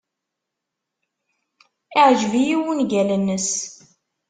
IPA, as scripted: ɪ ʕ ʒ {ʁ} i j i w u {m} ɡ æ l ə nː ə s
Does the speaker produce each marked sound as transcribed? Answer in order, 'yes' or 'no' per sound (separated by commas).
no, no